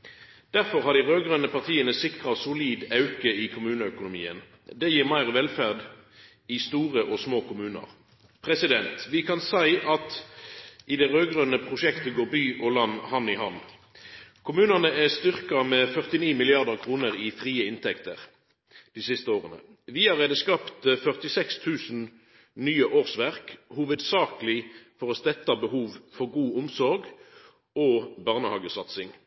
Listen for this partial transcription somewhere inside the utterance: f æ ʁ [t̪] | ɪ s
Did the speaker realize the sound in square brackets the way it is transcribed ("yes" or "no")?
no